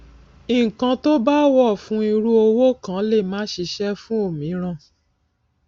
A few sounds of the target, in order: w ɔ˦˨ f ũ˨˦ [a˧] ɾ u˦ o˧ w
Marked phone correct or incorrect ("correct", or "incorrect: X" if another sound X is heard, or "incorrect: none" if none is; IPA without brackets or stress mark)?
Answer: incorrect: i˧